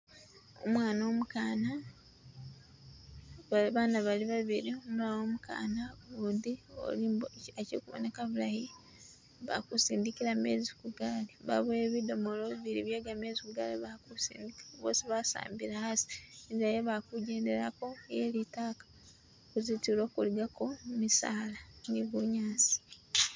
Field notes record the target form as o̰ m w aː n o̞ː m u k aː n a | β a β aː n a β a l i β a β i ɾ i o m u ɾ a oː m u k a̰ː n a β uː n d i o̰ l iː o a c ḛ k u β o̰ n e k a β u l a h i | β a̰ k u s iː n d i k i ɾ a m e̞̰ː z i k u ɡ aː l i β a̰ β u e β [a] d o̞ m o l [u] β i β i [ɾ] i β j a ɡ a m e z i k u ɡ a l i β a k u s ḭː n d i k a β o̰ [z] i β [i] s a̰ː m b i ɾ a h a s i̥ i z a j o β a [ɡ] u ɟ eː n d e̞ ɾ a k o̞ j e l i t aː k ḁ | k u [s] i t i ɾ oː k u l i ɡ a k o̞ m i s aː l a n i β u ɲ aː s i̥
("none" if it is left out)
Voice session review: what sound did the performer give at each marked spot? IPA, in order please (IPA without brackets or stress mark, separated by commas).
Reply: i, o, ɾ, s, a, k, z